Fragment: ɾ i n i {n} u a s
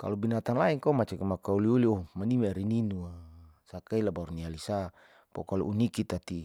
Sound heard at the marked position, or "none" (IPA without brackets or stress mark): n